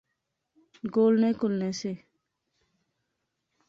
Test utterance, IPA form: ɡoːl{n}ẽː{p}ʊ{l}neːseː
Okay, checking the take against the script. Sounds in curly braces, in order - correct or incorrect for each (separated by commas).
correct, incorrect, correct